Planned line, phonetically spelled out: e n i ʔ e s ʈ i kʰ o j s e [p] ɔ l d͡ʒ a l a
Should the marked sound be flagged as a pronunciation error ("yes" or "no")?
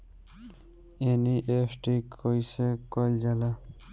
yes